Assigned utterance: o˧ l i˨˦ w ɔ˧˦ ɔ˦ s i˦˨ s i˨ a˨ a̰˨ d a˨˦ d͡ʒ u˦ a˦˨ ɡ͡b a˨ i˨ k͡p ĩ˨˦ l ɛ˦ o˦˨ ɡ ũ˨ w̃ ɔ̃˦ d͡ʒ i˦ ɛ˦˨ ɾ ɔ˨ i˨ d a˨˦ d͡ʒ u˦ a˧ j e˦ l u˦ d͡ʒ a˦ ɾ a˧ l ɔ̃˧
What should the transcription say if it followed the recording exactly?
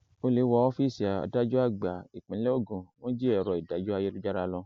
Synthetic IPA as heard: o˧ l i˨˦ w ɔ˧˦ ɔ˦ f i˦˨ s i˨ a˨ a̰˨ d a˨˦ d͡ʒ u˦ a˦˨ ɡ͡b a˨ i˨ k͡p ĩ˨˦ l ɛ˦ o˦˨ ɡ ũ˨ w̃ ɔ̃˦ d͡ʒ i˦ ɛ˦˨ ɾ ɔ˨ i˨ d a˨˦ d͡ʒ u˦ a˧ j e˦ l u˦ d͡ʒ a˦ ɾ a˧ l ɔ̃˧